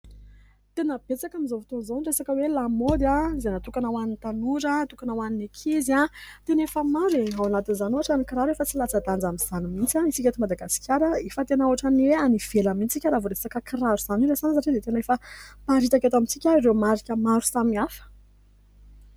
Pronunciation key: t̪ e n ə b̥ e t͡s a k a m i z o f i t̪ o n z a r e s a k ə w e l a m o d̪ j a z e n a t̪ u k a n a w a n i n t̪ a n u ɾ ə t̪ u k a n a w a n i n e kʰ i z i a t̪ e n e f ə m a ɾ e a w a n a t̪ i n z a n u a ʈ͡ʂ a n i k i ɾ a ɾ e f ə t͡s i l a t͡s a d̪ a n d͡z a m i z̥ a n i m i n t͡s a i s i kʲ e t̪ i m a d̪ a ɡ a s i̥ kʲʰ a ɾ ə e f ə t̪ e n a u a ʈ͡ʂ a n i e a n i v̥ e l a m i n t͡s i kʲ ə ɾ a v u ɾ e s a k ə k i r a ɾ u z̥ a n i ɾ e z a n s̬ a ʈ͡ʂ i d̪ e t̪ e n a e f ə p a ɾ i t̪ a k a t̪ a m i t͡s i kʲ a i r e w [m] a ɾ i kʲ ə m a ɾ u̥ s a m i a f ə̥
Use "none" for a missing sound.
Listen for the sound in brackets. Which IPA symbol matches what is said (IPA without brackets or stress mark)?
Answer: m